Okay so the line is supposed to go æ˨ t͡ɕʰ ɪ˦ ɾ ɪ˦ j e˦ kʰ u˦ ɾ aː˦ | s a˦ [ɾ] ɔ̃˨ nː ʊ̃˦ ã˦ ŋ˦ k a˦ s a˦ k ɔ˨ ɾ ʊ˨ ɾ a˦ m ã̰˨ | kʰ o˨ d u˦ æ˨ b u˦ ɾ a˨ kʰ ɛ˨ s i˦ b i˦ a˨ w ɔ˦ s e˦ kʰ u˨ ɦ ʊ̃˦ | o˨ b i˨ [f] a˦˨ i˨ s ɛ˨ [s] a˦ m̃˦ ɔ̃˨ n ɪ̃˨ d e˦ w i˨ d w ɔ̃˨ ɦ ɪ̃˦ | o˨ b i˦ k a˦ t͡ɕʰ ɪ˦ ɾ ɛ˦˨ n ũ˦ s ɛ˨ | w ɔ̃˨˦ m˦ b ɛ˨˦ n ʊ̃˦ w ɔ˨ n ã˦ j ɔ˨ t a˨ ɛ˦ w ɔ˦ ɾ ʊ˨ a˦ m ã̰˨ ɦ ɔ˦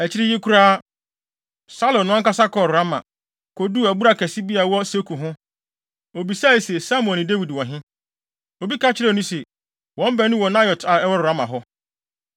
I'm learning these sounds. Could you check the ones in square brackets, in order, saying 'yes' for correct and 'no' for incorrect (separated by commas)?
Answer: no, no, yes